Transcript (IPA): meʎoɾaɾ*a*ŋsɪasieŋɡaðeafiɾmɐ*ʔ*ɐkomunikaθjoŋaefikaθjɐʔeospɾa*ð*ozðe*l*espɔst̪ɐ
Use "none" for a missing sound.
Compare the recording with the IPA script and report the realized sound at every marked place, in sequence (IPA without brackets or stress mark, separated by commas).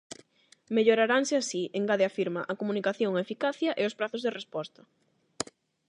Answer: a, ʔ, θ, r